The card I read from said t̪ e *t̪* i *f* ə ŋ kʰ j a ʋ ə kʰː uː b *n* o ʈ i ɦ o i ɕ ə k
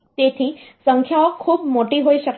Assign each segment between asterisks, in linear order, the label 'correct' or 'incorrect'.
incorrect: t̪ʰ, incorrect: s, incorrect: m

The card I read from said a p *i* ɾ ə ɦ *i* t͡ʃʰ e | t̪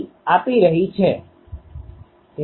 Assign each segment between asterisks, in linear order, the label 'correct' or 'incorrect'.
correct, correct

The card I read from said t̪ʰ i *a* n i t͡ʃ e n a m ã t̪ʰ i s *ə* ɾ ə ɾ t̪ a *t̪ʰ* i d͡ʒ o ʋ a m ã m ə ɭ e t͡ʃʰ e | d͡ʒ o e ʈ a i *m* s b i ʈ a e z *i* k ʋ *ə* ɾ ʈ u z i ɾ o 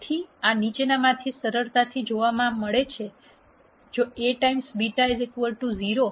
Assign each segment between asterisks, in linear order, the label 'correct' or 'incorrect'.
correct, correct, correct, correct, incorrect: e, correct

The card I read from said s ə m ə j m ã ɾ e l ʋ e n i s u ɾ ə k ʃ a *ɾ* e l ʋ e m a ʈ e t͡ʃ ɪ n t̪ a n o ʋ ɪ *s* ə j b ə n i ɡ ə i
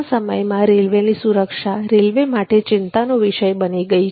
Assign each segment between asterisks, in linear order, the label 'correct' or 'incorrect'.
correct, incorrect: ʃ

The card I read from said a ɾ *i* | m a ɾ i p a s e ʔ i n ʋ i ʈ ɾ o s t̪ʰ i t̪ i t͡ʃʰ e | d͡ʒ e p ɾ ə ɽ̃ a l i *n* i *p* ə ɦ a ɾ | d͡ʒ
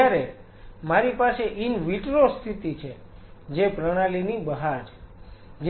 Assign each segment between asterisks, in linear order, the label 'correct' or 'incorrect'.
incorrect: e, correct, incorrect: b

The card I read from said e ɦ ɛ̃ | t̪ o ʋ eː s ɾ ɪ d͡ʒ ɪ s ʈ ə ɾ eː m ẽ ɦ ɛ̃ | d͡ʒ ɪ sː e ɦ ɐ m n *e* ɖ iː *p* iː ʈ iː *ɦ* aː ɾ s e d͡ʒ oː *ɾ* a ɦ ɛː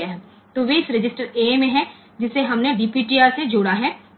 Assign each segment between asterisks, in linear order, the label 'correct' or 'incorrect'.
correct, correct, incorrect: none, incorrect: ɽ

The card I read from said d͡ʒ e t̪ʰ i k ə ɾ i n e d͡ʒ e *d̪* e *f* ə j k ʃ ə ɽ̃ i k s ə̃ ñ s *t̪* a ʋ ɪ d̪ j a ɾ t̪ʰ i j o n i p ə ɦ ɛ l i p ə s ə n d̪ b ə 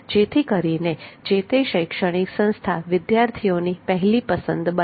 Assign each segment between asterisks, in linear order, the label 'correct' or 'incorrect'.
incorrect: t̪, incorrect: ʃ, incorrect: t̪ʰ

